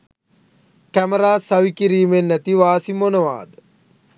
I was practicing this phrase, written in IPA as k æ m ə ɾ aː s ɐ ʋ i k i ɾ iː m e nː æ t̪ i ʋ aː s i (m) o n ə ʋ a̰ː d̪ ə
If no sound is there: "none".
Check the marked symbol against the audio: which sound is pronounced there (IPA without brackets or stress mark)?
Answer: m